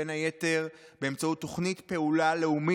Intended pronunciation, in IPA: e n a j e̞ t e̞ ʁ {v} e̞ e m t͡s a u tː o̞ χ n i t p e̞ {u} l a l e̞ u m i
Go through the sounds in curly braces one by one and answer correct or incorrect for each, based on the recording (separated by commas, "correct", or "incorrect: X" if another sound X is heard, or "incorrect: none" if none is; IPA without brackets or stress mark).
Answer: incorrect: b, correct